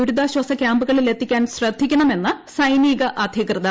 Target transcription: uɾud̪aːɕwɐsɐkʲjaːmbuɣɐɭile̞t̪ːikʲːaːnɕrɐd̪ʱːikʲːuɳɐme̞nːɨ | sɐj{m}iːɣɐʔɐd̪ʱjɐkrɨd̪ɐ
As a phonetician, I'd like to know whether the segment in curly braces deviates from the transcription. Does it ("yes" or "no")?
yes